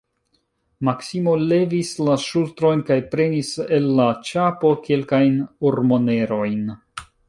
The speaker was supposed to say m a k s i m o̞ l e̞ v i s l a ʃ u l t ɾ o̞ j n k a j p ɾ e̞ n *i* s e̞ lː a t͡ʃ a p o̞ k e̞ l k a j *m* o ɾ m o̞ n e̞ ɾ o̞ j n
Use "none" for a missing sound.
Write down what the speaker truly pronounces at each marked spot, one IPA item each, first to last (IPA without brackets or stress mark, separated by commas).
i, n